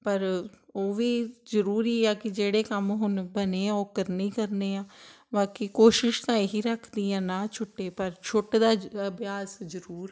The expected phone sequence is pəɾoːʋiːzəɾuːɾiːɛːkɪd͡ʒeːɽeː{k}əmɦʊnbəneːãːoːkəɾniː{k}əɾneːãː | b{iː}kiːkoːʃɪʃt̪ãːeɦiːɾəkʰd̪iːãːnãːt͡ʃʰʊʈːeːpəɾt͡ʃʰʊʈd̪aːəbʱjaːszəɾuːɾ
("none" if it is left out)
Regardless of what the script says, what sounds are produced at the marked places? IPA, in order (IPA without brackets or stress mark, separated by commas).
k, k, aː